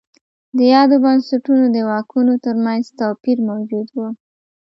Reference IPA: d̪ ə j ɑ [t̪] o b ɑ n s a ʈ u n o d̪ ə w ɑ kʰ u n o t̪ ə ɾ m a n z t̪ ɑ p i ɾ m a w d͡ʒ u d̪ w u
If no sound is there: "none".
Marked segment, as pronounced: d̪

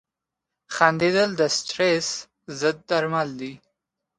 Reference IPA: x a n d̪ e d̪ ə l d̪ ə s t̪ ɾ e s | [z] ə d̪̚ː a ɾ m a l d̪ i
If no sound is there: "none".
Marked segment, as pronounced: z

